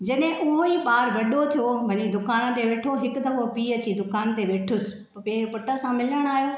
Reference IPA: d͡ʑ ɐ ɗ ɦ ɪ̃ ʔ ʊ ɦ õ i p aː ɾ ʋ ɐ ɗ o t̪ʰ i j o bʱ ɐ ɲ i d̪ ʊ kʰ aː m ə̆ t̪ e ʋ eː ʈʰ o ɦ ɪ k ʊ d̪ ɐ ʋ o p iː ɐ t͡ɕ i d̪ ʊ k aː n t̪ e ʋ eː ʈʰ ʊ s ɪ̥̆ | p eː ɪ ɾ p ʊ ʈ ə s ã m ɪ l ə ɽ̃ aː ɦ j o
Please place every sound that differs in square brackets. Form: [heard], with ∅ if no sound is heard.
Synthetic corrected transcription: d͡ʑ ɐ ɗ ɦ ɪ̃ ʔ ʊ ɦ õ i p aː ɾ ʋ ɐ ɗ o t̪ʰ i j o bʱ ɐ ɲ i d̪ ʊ [k] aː [n] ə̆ t̪ e ʋ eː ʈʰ o ɦ ɪ k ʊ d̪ ɐ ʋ o p iː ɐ t͡ɕ i d̪ ʊ k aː n t̪ e ʋ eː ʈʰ ʊ s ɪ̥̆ | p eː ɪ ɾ p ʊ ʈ ə s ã m ɪ l ə ɽ̃ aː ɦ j o